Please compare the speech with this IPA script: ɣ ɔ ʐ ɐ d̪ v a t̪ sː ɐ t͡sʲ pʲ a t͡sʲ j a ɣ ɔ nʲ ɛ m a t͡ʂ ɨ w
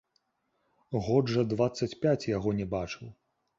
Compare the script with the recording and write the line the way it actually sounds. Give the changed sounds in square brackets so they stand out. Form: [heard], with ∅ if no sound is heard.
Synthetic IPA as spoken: ɣ ɔ ʐ ɐ d̪ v a t̪ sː ɐ t͡sʲ pʲ a t͡sʲ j a ɣ ɔ nʲ ɛ [b] a t͡ʂ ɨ w